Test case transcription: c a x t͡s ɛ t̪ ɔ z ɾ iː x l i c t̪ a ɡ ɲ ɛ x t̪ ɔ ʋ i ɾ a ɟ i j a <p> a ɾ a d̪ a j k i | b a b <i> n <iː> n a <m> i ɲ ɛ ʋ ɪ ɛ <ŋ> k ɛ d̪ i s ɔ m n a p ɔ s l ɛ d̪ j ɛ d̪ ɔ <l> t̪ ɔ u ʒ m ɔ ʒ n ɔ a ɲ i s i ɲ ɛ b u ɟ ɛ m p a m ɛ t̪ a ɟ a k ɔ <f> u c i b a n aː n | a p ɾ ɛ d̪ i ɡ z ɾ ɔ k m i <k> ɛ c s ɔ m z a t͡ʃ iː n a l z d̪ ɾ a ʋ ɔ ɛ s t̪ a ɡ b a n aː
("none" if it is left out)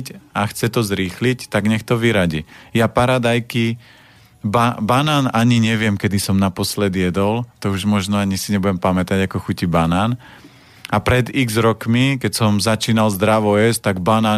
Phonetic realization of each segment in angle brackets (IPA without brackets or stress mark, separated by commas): p, a, aː, ɲ, m, l, x, k